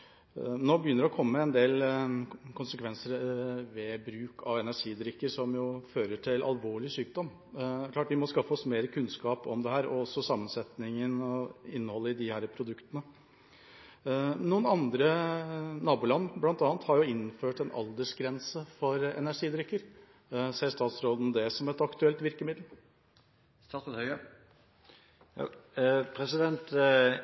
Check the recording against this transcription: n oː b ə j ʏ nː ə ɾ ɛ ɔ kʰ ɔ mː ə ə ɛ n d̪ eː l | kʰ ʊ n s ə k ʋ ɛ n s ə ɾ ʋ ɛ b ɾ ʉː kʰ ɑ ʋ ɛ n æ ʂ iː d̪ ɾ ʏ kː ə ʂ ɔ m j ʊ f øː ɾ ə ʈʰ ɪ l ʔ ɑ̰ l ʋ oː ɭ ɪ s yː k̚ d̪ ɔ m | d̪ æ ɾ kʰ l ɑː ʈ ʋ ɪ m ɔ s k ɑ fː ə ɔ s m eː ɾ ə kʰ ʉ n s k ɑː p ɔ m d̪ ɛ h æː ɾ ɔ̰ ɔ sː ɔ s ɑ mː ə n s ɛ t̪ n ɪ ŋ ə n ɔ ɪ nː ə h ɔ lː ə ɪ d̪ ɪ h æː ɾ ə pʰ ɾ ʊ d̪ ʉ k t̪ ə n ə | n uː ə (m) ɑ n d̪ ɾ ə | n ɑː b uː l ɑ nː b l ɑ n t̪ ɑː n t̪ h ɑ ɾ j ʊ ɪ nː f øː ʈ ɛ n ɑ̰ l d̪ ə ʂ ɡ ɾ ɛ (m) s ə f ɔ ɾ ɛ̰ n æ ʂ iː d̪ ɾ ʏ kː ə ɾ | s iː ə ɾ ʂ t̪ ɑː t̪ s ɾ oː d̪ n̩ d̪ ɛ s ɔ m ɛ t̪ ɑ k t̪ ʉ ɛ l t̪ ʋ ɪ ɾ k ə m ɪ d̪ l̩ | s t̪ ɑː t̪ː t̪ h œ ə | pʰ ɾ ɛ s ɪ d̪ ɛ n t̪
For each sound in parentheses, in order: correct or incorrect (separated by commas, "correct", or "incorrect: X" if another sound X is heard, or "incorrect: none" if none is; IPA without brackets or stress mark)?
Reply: incorrect: n, incorrect: n